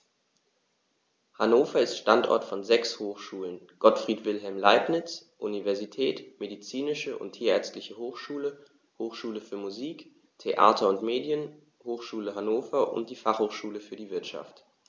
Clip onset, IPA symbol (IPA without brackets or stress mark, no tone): h